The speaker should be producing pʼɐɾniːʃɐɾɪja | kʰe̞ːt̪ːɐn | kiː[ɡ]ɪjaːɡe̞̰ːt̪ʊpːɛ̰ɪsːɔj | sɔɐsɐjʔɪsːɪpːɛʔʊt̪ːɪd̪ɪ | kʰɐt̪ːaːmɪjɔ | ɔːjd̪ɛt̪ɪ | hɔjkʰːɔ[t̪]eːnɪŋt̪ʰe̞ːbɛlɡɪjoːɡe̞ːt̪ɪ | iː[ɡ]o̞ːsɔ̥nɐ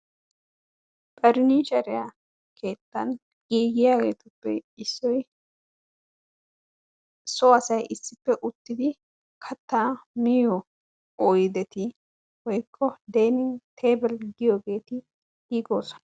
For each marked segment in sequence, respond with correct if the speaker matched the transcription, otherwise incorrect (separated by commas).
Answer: correct, incorrect, correct